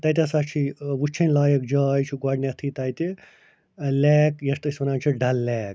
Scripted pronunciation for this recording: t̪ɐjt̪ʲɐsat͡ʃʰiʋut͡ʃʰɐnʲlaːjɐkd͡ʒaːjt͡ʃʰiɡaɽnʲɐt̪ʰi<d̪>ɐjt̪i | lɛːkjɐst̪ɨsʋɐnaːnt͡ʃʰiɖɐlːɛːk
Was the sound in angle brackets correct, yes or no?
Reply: no